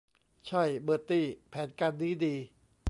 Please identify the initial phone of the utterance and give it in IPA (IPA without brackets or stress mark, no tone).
t͡ɕʰ